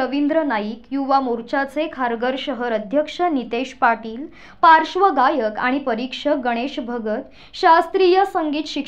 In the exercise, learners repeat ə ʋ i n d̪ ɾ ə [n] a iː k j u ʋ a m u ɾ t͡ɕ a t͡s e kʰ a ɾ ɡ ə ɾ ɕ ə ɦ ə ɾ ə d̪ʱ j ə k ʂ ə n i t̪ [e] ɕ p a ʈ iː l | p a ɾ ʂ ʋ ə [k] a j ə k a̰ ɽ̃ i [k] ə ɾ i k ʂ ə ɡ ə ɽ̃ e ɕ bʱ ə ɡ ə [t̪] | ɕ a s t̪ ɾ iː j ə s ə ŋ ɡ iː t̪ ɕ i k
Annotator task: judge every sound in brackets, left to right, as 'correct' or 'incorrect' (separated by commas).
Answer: correct, correct, incorrect, incorrect, correct